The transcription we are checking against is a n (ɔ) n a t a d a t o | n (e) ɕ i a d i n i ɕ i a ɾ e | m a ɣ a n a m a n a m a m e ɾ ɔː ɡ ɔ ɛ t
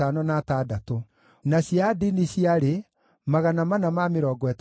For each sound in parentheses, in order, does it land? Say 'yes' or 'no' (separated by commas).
yes, no